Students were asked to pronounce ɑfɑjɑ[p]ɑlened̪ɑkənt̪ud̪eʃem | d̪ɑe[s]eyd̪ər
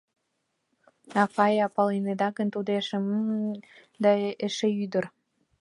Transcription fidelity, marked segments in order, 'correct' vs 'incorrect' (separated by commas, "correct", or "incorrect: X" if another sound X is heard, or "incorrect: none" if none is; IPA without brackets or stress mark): correct, incorrect: ʃ